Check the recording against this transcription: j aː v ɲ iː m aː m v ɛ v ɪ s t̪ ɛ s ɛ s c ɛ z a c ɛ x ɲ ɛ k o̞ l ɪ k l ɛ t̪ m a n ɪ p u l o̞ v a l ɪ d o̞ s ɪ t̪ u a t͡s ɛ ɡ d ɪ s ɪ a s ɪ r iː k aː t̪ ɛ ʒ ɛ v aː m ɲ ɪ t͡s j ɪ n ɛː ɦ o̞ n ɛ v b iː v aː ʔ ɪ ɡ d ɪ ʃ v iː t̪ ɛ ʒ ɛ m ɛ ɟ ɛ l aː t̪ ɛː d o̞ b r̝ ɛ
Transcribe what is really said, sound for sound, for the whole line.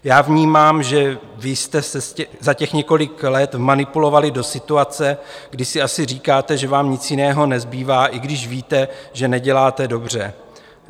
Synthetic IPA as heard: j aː v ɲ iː m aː m ʒ ɛ v ɪ s t̪ ɛ s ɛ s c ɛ z a c ɛ x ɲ ɛ k o̞ l ɪ k l ɛ t̪ m a n ɪ p u l o̞ v a l ɪ d o̞ s ɪ t̪ u a t͡s ɛ ɡ d ɪ s ɪ a s ɪ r iː k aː t̪ ɛ ʒ ɛ v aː m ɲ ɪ t͡s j ɪ n ɛː ɦ o̞ n ɛ z b iː v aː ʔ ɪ ɡ d ɪ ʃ v iː t̪ ɛ ʒ ɛ n ɛ ɟ ɛ l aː t̪ ɛ d o̞ b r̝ ɛ

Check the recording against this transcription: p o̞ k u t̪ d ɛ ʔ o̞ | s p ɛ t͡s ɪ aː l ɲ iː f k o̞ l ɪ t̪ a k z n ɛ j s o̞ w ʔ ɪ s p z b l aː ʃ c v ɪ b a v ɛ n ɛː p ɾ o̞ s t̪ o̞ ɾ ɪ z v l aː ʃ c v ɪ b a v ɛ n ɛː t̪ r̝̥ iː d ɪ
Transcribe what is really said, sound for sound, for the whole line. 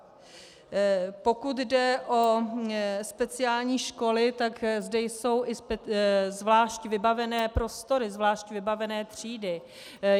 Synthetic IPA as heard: p o̞ k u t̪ d ɛ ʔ o̞ | s p ɛ t͡s ɪ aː l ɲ iː ʃ k o̞ l ɪ t̪ a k z d ɛ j s o̞ w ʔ ɪ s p z v l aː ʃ c v ɪ b a v ɛ n ɛː p ɾ o̞ s t̪ o̞ ɾ ɪ z v l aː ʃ c v ɪ b a v ɛ n ɛː t̪ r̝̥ iː d ɪ

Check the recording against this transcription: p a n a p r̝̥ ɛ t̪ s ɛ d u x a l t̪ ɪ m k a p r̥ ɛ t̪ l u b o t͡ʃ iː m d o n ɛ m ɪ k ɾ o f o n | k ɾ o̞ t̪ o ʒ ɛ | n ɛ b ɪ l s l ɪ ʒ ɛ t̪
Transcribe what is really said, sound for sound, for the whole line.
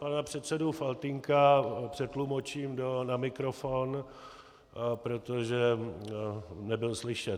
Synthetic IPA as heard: p a n a p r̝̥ ɛ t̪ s ɛ d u f a l t̪ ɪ ŋ k a p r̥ ɛ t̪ l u m o t͡ʃ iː m d o n a m ɪ k ɾ o f o n | p ɾ o̞ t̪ o ʒ ɛ | n ɛ b ɪ l s l ɪ ʃ ɛ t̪

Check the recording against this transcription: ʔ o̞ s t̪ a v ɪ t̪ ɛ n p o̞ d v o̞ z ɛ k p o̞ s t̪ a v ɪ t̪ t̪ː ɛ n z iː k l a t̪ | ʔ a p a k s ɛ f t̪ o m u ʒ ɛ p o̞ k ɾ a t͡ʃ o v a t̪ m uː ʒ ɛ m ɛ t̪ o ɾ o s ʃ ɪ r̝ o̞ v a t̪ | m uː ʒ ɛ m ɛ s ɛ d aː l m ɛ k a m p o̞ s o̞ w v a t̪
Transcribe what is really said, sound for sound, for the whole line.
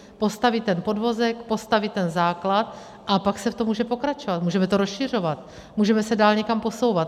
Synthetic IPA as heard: p o̞ s t̪ a v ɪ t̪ ɛ n p o̞ d v o̞ z ɛ k p o̞ s t̪ a v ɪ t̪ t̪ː ɛ n z aː k l a t̪ | ʔ a p a k s ɛ f t̪ o m uː ʒ ɛ p o̞ k ɾ a t͡ʃ o v a t̪ m uː ʒ ɛ m ɛ t̪ o ɾ o s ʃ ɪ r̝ o̞ v a t̪ | m uː ʒ ɛ m ɛ s ɛ d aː l ɲ ɛ k a m p o̞ s o̞ w v a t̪

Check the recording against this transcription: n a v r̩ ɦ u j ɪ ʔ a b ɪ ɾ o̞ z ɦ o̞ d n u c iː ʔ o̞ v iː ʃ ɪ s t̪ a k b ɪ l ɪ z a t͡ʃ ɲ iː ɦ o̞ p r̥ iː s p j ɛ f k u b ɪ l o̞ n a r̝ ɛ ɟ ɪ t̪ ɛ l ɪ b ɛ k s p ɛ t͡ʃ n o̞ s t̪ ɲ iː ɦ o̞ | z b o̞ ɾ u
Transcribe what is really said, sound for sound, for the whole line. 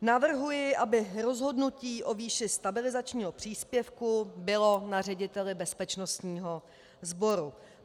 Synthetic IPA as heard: n a v r̩ ɦ u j ɪ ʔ a b ɪ ɾ o̞ z ɦ o̞ d n u c iː ʔ o̞ v iː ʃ ɪ s t̪ a b ɪ l ɪ z a t͡ʃ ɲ iː ɦ o̞ p r̥ iː s p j ɛ f k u b ɪ l o̞ n a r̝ ɛ ɟ ɪ t̪ ɛ l ɪ b ɛ s p ɛ t͡ʃ n o̞ s t̪ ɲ iː ɦ o̞ | z b o̞ ɾ u

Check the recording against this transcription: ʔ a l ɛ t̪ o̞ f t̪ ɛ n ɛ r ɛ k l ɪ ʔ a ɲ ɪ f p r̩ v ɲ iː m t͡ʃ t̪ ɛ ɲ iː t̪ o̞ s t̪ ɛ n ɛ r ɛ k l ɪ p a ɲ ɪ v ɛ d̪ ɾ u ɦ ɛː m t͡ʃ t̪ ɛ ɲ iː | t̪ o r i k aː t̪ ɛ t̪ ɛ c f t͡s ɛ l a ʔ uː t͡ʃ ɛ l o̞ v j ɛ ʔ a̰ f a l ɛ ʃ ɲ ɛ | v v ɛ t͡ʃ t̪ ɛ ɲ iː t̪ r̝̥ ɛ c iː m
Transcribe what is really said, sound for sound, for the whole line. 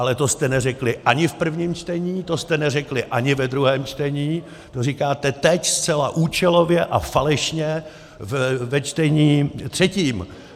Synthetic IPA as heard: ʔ a l ɛ t̪ o̞ s t̪ ɛ n ɛ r ɛ k l ɪ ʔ a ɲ ɪ f p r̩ v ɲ iː m t͡ʃ t̪ ɛ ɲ iː t̪ o̞ s t̪ ɛ n ɛ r ɛ k l ɪ ʔ a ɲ ɪ v ɛ d̪ ɾ u ɦ ɛː m t͡ʃ t̪ ɛ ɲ iː | t̪ o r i k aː t̪ ɛ t̪ ɛ c s t͡s ɛ l a ʔ uː t͡ʃ ɛ l o̞ v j ɛ ʔ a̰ f a l ɛ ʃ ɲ ɛ | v v ɛ t͡ʃ t̪ ɛ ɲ iː t̪ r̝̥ ɛ c iː m

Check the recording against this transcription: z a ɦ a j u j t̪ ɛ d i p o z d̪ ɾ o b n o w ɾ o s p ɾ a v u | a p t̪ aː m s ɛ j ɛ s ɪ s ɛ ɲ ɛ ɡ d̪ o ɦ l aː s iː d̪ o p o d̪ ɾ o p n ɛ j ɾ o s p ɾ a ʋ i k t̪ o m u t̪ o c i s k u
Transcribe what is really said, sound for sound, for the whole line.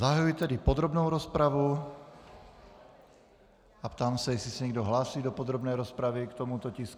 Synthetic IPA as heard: z a ɦ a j u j t̪ ɛ d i p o d̪ ɾ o b n o w ɾ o s p ɾ a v u | a p t̪ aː m s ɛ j ɛ s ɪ s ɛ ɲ ɛ ɡ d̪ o ɦ l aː s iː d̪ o p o d̪ ɾ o b n ɛ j ɾ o s p ɾ a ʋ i k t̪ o m u t̪ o c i s k u

